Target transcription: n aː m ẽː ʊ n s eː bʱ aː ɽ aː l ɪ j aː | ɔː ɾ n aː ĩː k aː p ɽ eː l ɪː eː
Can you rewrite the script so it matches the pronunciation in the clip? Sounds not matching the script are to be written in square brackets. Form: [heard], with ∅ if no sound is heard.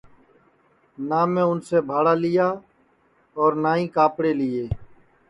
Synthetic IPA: n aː m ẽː ʊ n s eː bʱ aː ɽ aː l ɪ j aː | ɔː ɾ n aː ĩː k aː p ɽ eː l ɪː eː